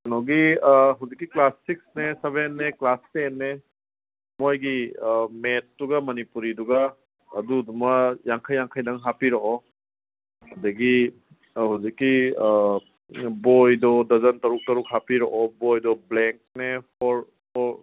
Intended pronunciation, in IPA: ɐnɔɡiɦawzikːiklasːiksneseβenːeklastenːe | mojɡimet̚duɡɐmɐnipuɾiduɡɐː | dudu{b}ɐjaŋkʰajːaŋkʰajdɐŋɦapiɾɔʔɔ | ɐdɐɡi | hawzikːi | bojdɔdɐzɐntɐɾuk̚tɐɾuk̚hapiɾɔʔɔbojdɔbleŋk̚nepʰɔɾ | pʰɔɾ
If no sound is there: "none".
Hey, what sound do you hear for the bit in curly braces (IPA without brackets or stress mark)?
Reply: m